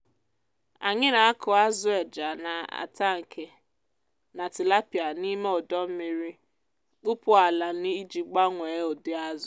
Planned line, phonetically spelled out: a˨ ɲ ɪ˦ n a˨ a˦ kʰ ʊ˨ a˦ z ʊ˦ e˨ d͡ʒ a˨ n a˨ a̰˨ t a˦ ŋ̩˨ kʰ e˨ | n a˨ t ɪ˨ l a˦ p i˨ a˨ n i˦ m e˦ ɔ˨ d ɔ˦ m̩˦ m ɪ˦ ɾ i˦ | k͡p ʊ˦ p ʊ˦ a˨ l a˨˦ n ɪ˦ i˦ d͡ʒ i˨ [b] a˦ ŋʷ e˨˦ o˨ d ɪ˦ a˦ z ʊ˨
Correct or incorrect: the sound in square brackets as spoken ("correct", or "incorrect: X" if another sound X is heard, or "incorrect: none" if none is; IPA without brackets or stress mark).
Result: incorrect: ɡ͡b